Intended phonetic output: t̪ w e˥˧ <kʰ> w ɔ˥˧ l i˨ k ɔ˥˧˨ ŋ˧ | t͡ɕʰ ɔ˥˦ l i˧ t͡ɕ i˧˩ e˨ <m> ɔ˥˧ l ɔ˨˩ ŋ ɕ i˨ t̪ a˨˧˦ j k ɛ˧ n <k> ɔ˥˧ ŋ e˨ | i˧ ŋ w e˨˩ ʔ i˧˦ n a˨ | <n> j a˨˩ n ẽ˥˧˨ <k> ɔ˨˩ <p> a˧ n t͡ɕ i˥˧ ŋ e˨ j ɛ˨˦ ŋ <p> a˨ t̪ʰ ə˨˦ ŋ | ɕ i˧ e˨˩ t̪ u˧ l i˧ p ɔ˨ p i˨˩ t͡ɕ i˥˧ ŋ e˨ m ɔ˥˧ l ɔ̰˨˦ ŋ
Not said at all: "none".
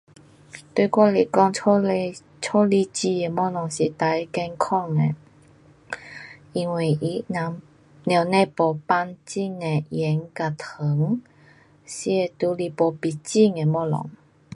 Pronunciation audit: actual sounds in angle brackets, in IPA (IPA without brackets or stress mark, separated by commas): k, m, kʰ, n, p, p, k